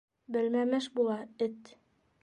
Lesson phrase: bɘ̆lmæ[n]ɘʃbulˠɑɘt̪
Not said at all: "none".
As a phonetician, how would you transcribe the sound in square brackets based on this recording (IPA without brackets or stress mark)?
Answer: m